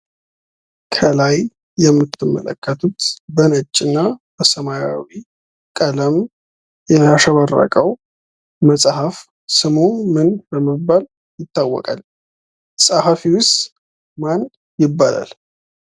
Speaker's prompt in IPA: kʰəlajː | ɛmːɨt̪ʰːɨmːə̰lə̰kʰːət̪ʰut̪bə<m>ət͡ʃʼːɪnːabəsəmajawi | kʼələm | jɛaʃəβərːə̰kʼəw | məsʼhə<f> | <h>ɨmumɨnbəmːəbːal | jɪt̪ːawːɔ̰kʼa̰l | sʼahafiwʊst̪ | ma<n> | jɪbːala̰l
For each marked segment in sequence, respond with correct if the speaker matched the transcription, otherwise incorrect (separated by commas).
incorrect, correct, incorrect, correct